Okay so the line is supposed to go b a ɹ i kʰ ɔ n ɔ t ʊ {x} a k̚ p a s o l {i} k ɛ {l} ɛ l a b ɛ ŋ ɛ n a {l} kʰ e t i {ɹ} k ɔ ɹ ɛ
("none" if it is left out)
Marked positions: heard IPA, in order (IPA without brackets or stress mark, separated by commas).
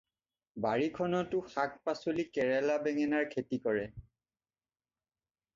x, i, ɹ, ɹ, none